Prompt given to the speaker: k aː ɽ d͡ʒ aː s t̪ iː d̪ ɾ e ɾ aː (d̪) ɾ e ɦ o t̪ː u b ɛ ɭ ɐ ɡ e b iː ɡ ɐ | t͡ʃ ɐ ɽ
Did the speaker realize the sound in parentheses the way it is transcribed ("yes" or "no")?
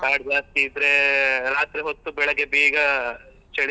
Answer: no